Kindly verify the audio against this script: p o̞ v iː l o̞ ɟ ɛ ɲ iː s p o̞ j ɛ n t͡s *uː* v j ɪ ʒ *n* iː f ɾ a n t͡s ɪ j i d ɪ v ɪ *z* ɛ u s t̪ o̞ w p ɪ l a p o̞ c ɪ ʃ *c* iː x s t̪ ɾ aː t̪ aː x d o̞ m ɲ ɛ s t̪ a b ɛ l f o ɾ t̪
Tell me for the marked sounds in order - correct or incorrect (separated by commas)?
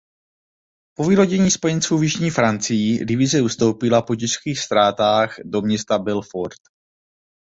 correct, incorrect, correct, incorrect